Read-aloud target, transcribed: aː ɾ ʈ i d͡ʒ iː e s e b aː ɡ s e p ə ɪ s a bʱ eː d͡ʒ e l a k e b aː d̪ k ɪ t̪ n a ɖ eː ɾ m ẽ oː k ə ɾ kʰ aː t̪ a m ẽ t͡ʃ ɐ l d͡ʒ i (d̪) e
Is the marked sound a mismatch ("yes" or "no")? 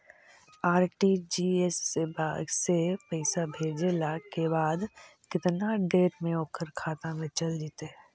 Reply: yes